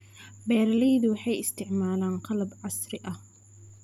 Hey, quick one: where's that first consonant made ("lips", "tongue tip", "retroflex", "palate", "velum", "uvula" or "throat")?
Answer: lips